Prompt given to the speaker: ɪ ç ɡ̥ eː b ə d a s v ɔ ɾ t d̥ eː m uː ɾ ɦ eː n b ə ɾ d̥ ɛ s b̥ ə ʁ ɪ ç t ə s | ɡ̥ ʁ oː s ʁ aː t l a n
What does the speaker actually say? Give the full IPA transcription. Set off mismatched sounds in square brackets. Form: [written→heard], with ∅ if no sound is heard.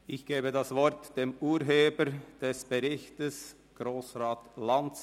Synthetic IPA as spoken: ɪ ç ɡ̥ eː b ə d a s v ɔ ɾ t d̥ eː m uː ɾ ɦ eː [n→∅] b ə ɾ d̥ ɛ s b̥ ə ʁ ɪ ç t ə s | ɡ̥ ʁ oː s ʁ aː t l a n